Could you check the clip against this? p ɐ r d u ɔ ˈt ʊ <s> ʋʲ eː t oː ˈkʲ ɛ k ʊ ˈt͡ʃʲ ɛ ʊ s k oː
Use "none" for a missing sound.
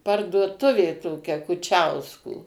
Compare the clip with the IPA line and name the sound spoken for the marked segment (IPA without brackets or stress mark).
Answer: none